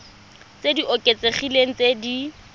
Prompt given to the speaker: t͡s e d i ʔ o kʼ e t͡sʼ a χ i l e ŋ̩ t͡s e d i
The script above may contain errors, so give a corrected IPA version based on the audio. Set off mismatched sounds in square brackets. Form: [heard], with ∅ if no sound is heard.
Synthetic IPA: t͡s e d i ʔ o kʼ e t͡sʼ [e] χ i l e ŋ̩ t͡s e d i

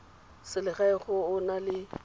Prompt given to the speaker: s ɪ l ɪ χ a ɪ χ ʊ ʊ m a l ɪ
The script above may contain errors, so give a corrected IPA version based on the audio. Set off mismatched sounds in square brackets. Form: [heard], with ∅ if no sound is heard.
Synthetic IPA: s ɪ l ɪ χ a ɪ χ ʊ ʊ [n] a l ɪ

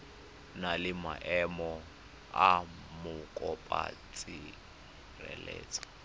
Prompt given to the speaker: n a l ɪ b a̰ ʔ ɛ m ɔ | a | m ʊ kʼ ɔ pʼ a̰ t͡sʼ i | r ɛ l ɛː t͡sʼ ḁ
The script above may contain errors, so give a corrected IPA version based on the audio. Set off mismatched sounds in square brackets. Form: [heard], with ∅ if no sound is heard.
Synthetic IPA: n a l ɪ [m] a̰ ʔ ɛ m ɔ | a | m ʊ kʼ ɔ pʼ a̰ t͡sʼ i | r ɛ l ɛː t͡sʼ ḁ

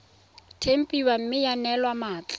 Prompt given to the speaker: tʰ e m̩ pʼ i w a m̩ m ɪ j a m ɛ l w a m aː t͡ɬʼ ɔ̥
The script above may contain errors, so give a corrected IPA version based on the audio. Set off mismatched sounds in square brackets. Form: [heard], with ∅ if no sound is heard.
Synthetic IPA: tʰ e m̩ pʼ i w a m̩ m ɪ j a [n] ɛ l w a m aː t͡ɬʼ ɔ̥

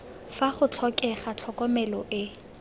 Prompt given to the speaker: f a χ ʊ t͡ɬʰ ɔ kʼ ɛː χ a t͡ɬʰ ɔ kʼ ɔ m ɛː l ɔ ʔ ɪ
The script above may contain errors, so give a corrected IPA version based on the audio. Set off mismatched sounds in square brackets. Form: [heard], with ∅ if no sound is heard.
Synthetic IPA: f a χ ʊ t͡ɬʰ ɔ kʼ [ɛ] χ a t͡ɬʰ ɔ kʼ ɔ m [ɛ] l ɔ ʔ ɪ

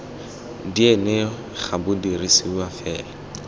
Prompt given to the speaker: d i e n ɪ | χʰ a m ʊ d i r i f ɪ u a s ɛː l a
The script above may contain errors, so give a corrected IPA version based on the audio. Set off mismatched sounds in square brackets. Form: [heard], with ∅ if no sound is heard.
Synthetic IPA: d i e n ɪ | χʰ a [b] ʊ d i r i [s] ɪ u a [f] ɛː l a

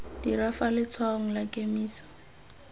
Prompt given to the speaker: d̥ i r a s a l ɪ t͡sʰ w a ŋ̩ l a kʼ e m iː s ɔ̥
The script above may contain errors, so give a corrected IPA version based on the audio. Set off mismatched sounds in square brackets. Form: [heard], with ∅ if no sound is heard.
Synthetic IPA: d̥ i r a [f] a l ɪ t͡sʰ w a ŋ̩ l a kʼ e m iː s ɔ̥

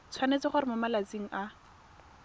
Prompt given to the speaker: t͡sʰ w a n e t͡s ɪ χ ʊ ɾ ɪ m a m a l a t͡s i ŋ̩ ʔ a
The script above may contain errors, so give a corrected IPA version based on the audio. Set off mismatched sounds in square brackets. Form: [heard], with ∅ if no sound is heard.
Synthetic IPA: t͡sʰ w a n e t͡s ɪ χ ʊ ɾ ɪ m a m a l a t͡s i ŋ̩ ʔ a

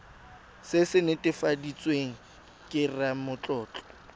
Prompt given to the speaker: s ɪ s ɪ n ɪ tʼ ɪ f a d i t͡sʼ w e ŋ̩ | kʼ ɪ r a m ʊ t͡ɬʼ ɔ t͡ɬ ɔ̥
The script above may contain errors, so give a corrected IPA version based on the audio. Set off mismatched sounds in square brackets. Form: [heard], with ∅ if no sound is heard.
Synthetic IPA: s ɪ s ɪ n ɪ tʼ ɪ f a d i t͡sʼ w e ŋ̩ | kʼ ɪ r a m ʊ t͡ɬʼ [ɔː] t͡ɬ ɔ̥

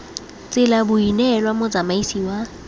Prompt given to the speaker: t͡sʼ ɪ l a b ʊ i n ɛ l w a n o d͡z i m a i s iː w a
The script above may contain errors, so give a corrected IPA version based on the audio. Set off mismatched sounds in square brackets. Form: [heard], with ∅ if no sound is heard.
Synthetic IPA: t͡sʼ ɪ l a b ʊ i n ɛ l w a [m] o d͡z [a] m a i s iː w a

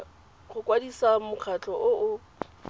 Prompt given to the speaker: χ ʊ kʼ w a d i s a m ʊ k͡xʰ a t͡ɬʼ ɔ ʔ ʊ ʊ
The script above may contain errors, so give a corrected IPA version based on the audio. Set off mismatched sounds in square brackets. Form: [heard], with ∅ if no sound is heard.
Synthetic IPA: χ ʊ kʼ w a d i s a m ʊ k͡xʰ a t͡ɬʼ ɔ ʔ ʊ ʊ

